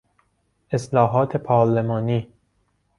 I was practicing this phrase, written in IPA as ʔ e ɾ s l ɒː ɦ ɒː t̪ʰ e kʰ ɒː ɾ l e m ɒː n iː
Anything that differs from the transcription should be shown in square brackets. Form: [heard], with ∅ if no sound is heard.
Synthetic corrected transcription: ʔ e [∅] s l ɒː ɦ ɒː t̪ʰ e [pʰ] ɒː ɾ l e m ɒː n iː